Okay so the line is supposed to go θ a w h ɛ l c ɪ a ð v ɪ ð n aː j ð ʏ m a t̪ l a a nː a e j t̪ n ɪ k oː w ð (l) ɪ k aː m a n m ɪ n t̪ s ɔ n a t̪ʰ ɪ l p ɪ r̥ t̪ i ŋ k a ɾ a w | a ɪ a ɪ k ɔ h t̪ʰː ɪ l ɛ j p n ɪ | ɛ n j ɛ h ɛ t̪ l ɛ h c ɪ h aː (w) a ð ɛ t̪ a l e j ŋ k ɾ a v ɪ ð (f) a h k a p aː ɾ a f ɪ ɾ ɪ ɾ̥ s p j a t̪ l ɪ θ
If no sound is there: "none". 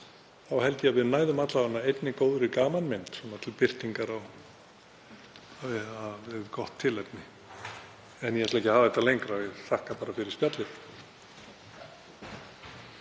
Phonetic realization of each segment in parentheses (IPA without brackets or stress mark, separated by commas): ɾ, v, θ